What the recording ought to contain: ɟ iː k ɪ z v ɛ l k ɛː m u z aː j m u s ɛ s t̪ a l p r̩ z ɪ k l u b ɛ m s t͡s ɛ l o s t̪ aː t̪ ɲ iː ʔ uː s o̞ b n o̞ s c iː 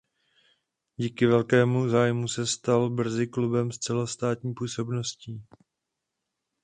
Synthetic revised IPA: ɟ iː k ɪ v ɛ l k ɛː m u z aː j m u s ɛ s t̪ a l b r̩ z ɪ k l u b ɛ m s t͡s ɛ l o s t̪ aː t̪ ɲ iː p uː s o̞ b n o̞ s c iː